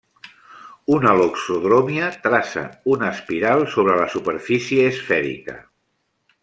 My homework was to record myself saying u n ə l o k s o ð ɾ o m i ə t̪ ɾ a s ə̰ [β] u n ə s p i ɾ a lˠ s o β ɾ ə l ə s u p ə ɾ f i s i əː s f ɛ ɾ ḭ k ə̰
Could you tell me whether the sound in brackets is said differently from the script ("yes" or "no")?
yes